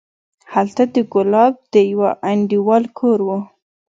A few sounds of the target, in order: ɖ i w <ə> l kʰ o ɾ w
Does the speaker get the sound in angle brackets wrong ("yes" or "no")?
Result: yes